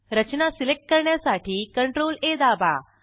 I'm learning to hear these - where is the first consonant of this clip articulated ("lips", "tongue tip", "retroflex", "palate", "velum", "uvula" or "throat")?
tongue tip